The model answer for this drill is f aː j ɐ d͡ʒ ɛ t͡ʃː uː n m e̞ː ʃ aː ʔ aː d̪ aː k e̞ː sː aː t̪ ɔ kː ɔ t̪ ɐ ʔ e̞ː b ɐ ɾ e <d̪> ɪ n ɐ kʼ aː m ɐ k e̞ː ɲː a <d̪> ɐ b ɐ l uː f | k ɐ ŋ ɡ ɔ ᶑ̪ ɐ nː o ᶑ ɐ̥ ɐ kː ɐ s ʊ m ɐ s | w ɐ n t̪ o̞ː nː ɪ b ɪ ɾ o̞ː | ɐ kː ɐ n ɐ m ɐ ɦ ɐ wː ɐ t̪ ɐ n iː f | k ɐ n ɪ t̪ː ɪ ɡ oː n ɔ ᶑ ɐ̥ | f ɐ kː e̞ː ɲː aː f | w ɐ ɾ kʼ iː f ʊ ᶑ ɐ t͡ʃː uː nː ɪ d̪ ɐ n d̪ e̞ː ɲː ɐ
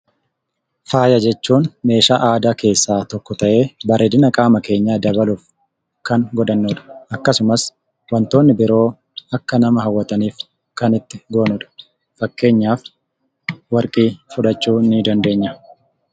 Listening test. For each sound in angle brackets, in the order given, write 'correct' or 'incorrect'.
correct, correct

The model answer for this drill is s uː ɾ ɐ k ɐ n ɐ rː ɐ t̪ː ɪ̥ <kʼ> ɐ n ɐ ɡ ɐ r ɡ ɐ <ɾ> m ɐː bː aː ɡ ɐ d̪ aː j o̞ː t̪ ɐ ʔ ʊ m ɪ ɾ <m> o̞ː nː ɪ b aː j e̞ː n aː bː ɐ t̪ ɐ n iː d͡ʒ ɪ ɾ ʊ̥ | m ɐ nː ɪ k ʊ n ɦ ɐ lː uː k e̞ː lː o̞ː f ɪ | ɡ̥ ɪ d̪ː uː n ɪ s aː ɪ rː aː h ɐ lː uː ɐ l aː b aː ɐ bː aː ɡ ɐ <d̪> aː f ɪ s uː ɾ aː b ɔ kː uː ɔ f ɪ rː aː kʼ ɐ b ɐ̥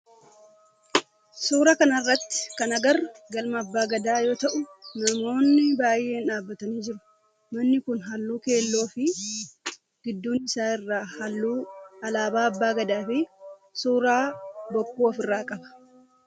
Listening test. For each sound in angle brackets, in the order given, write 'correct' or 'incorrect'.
incorrect: k, incorrect: l, correct, correct

